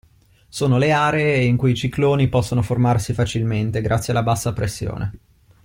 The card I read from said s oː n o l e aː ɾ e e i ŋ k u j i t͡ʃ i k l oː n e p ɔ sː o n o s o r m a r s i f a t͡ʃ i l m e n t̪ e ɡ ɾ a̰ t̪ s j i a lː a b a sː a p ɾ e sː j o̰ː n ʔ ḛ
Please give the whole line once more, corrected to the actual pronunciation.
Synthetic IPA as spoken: s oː n o l e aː ɾ e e i ŋ k u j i t͡ʃ i k l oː n i p ɔ sː o n o f o r m a r s i f a t͡ʃ i l m e n t̪ e ɡ ɾ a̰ t̪ s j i a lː a b a sː a p ɾ e sː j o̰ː n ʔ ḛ